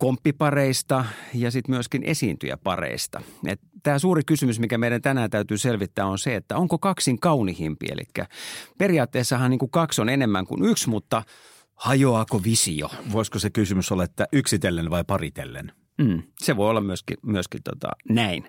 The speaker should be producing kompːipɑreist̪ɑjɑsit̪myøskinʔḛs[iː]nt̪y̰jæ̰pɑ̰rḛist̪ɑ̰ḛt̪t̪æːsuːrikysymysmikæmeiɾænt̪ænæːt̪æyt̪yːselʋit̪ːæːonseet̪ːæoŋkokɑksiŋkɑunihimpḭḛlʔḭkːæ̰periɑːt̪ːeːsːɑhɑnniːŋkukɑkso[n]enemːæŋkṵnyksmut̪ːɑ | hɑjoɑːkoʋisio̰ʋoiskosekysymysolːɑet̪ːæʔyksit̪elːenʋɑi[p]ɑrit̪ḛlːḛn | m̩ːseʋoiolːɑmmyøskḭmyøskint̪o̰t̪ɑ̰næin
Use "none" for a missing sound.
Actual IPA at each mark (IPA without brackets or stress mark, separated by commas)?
iː, n, p